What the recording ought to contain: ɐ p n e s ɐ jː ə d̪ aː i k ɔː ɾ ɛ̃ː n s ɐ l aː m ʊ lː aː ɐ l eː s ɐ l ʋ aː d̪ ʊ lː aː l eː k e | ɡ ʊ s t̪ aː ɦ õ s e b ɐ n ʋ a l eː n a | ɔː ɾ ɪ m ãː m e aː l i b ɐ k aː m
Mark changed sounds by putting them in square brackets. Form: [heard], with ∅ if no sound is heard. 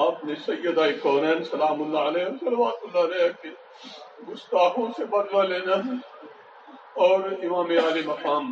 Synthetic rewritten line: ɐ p n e s ɐ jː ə d̪ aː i k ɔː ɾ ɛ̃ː n s ɐ l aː m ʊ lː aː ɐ l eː s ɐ l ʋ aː [t̪] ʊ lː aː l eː k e | ɡ ʊ s t̪ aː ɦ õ s e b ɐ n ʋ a l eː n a | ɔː ɾ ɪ m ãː m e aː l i [m] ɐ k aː m